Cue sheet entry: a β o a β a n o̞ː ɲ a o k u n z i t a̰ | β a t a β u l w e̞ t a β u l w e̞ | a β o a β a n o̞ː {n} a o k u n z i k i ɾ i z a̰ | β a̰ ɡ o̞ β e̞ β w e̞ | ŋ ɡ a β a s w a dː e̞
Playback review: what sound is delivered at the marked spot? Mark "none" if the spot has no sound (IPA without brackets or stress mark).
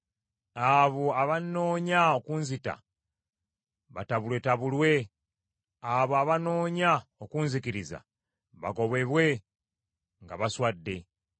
ɲ